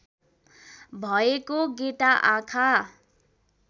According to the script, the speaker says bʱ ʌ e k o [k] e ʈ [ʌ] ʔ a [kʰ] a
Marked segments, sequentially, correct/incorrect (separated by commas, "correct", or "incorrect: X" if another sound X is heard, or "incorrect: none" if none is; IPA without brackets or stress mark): incorrect: ɡ, incorrect: a, correct